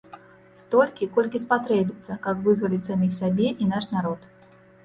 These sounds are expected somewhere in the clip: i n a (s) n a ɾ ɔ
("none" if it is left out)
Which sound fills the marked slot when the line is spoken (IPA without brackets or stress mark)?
ʂ